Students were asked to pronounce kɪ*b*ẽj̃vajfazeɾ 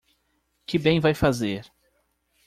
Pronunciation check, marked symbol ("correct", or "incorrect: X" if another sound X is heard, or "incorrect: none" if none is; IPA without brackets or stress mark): correct